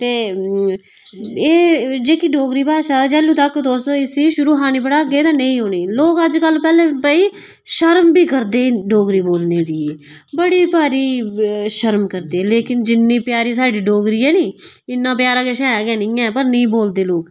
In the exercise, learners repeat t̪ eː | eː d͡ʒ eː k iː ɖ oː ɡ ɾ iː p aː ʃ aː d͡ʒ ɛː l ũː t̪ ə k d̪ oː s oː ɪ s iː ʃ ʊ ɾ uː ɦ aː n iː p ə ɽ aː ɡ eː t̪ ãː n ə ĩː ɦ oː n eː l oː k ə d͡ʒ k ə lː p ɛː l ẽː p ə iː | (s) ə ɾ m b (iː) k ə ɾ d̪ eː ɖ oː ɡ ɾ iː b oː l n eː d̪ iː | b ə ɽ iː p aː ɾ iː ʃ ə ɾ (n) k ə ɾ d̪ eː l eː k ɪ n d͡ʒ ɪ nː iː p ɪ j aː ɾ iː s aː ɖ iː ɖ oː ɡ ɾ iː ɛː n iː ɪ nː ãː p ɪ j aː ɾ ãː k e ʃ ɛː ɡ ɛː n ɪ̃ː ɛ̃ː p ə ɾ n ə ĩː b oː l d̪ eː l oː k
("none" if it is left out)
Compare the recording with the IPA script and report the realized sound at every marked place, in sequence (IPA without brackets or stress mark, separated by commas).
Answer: ʃ, iː, m